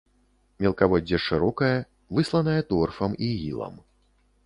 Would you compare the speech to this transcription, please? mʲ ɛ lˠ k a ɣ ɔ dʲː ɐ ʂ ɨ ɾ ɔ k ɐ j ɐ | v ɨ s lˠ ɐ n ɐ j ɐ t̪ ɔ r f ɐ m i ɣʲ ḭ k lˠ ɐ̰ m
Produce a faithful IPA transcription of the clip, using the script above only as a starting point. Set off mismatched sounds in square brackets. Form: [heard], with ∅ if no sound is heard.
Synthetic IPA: mʲ ɛ lˠ k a [v] ɔ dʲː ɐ ʂ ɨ ɾ ɔ k ɐ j ɐ | v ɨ s lˠ ɐ n ɐ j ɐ t̪ ɔ r f ɐ m i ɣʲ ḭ [∅] lˠ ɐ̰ m

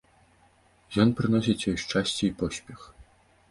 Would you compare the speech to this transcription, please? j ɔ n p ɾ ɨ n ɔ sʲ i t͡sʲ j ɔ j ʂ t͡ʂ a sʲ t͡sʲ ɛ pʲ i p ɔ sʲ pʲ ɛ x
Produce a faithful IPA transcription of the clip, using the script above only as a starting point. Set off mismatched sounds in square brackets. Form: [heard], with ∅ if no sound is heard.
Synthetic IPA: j ɔ n p ɾ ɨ n ɔ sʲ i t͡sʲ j ɔ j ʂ t͡ʂ a sʲ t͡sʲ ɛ [∅] i p ɔ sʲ pʲ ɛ x

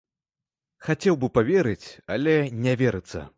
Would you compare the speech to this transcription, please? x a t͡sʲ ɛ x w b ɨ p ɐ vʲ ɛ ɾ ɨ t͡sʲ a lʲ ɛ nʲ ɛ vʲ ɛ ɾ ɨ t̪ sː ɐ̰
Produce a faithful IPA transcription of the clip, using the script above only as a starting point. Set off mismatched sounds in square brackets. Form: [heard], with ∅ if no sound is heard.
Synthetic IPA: x a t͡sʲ ɛ [∅] w b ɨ p [a] vʲ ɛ ɾ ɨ t͡sʲ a lʲ ɛ nʲ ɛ vʲ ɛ ɾ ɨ t̪ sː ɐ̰

